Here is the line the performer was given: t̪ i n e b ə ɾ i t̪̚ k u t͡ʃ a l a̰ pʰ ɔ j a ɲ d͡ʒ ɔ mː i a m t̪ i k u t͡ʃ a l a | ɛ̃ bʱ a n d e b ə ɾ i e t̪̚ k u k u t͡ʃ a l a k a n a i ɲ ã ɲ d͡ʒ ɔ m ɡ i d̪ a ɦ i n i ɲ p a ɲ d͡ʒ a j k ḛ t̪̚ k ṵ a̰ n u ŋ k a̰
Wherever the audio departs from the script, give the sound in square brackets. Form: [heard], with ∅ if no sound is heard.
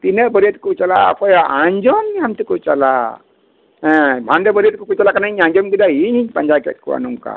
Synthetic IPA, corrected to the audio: t̪ i n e b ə ɾ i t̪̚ k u t͡ʃ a l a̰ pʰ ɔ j a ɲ d͡ʒ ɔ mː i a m t̪ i k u t͡ʃ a l a | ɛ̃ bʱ a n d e b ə ɾ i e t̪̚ k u k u t͡ʃ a l a k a n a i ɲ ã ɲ d͡ʒ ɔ m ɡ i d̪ a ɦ i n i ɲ p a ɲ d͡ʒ a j k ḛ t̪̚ k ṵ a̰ n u ŋ k a̰